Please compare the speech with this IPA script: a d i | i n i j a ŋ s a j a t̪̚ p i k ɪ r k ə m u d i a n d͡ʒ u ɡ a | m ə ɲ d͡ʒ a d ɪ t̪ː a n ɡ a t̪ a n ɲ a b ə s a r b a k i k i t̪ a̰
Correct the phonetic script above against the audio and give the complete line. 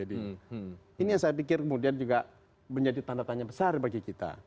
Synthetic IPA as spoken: a d i | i n i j a ŋ s a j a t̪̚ p i k ɪ r k ə m u d i a n d͡ʒ u ɡ a | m ə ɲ d͡ʒ a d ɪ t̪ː a n d a t̪ a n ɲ a b ə s a r b a ɡ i k i t̪ a̰